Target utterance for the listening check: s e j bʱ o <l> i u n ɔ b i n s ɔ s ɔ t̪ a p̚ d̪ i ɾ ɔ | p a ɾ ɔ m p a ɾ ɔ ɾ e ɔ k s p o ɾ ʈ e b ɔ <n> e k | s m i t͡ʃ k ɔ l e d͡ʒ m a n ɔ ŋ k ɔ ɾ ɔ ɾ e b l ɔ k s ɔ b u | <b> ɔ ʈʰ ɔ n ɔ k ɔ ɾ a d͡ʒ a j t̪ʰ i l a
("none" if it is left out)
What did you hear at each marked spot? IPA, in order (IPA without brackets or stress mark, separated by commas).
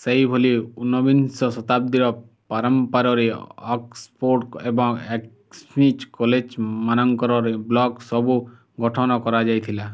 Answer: l, ŋ, ɡ